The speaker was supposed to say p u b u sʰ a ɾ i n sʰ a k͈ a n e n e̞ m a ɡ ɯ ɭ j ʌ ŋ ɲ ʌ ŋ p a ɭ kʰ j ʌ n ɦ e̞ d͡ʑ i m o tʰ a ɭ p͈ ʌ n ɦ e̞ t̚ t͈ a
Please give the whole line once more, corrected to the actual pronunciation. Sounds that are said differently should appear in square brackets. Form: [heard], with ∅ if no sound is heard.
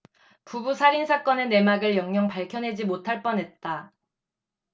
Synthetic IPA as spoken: p u b u sʰ a ɾ i n sʰ a k͈ [ʌ] n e n e̞ m a ɡ ɯ ɭ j ʌ ŋ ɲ ʌ ŋ p a ɭ kʰ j ʌ n ɦ e̞ d͡ʑ i m o tʰ a ɭ p͈ ʌ n ɦ e̞ t̚ t͈ a